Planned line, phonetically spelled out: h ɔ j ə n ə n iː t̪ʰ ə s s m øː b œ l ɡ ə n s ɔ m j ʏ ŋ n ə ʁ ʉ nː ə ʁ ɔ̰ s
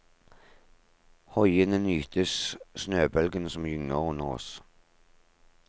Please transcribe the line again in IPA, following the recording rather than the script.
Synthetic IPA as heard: h ɔ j ə n ə n yː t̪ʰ ə s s n øː b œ l ɡ ə n s ɔ m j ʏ ŋ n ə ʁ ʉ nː ə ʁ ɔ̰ s